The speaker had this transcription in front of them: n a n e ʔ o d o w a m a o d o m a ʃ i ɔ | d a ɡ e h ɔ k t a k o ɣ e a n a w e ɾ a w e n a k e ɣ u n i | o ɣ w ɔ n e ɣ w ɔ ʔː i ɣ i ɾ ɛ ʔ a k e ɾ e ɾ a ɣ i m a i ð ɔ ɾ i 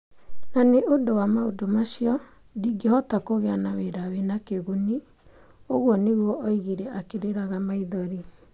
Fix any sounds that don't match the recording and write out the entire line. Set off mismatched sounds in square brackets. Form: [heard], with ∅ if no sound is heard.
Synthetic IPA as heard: n a n e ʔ o d o w a m a o d o m a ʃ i ɔ | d [i] ɡ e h ɔ [∅] t a k o ɣ e a n a w e ɾ a w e n a k e ɣ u n i | o ɣ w ɔ n e ɣ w ɔ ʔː i ɣ i ɾ ɛ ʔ a k e ɾ e ɾ a ɣ [a] m a i ð ɔ ɾ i